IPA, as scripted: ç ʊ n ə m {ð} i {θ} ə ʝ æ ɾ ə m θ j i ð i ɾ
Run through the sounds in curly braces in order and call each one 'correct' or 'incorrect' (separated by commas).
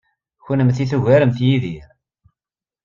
incorrect, correct